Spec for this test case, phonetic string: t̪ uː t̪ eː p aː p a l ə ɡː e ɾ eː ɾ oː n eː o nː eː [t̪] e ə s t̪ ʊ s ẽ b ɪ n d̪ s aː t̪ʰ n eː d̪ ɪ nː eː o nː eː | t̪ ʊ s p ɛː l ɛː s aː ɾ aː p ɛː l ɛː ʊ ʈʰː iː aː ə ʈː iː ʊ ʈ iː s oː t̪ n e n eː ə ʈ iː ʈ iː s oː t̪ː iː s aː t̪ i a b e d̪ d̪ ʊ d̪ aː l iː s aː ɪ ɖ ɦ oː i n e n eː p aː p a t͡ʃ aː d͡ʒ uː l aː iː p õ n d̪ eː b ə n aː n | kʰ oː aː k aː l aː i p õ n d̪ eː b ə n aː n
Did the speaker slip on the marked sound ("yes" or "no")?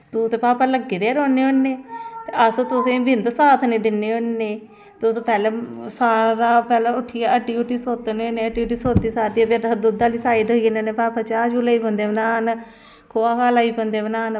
no